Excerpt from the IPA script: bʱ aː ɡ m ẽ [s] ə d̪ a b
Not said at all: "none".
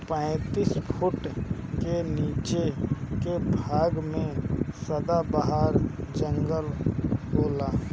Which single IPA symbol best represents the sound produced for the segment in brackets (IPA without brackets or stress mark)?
s